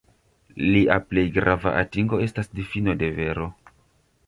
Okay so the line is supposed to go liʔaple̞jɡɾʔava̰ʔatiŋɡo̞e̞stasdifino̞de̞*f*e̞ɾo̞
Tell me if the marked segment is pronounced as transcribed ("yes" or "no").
no